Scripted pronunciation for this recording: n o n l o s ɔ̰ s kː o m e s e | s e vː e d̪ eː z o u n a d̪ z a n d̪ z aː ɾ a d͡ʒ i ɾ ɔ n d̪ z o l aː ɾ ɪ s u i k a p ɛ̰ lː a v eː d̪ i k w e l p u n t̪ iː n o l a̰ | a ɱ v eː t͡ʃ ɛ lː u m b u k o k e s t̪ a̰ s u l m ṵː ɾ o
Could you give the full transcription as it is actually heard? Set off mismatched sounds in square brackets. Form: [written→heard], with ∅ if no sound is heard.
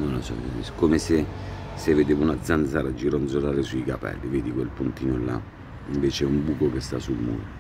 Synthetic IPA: n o n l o s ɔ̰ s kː o m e s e | s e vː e d̪ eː [z→v] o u n a d̪ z a n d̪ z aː ɾ a d͡ʒ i ɾ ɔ n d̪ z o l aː ɾ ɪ s u i k a p ɛ̰ lː [a→i] v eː d̪ i k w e l p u n t̪ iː n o l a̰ | [a→i] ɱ v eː t͡ʃ ɛ [lː→∅] u m b u k o k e s t̪ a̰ s u l m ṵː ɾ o

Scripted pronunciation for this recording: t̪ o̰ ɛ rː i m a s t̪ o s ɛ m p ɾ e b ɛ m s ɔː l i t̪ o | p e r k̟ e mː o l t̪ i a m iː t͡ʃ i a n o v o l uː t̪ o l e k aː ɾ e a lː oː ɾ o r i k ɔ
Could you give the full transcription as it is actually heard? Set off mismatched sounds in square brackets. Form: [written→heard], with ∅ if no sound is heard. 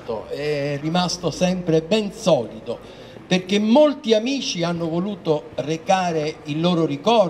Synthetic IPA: t̪ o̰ ɛ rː i m a s t̪ o s ɛ m p ɾ e b ɛ [m→n] s ɔː l i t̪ o | p e r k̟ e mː o l t̪ i a m iː t͡ʃ i a [n→nː] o v o l uː t̪ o [l→r] e k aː ɾ e [a→i] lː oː ɾ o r i k ɔ

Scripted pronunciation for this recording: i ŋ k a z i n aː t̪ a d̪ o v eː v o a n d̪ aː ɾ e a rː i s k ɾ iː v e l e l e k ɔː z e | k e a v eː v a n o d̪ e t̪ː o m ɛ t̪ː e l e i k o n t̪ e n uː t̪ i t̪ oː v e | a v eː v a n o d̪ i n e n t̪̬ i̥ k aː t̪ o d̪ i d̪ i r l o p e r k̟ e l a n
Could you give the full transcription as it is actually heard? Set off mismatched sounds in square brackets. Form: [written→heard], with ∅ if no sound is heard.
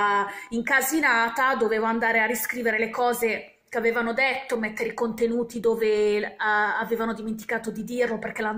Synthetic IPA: i ŋ k a z i n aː t̪ a d̪ o v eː v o a n d̪ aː ɾ e a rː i s k ɾ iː v e [l→ɾ] e l e k ɔː z e | k e a v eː v a n o d̪ e t̪ː o m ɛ t̪ː e [l→ɾ] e i k o n t̪ e n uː t̪ i [t̪→d̪] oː v e | a v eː v a n o d̪ i [n→m] e n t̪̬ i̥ k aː t̪ o d̪ i d̪ i r l o p e r k̟ e l a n

